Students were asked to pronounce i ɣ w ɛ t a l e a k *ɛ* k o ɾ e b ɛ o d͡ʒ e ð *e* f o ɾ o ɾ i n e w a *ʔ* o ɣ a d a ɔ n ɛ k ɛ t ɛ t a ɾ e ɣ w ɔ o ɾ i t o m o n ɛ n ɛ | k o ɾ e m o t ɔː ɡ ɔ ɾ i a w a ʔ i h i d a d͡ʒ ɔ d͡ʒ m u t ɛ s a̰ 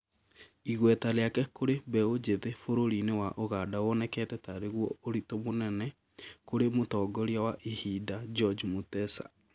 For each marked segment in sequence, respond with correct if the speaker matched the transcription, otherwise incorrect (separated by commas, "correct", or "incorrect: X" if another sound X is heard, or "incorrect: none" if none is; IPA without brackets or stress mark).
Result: correct, correct, correct